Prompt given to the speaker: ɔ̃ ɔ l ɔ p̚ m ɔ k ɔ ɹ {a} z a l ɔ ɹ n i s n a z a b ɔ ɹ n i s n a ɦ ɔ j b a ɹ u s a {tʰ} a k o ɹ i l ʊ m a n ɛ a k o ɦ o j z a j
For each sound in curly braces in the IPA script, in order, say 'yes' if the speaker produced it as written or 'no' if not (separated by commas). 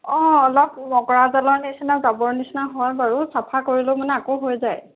yes, no